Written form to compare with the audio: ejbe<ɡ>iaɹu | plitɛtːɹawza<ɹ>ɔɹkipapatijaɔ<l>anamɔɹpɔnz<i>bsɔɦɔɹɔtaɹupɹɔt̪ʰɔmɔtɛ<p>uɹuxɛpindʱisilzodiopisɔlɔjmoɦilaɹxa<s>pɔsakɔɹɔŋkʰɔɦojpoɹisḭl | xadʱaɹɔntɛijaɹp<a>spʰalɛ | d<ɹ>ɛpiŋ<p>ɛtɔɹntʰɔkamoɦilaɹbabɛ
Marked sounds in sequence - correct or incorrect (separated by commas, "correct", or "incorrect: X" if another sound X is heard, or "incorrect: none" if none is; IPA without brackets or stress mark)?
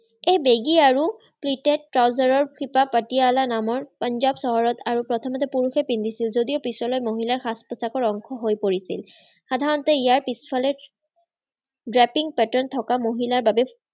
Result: correct, correct, correct, incorrect: a, correct, correct, incorrect: i, correct, correct